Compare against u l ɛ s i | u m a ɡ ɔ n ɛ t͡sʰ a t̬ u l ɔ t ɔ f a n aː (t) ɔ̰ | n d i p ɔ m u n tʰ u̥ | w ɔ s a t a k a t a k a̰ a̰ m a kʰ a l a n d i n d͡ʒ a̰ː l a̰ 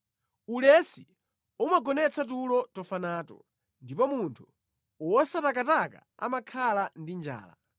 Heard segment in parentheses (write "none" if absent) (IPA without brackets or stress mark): t